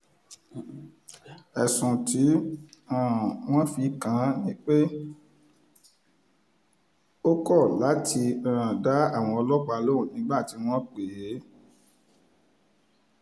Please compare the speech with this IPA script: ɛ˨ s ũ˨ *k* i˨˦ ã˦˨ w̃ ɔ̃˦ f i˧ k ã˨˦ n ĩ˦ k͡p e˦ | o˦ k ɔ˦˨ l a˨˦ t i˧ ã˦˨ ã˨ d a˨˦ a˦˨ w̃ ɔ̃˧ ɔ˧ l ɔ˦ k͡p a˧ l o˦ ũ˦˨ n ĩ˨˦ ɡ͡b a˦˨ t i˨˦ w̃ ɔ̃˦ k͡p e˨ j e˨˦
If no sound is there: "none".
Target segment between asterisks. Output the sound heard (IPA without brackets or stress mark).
t